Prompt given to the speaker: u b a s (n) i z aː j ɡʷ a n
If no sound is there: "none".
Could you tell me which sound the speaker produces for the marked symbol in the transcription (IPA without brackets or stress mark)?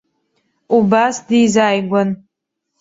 d